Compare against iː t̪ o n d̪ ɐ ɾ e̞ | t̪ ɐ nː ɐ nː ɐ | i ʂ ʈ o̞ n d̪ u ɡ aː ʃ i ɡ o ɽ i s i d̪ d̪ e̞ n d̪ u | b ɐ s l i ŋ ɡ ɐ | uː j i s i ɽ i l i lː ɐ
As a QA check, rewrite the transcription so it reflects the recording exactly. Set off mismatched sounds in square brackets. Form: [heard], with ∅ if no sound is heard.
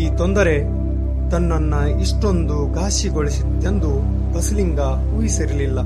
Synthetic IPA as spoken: iː t̪ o n d̪ ɐ ɾ e̞ | t̪ ɐ nː ɐ nː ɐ | i ʂ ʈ o̞ n d̪ u ɡ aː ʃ i ɡ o [ɭ] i s i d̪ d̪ e̞ n d̪ u | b ɐ s l i ŋ ɡ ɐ | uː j i s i [ɾ] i l i lː ɐ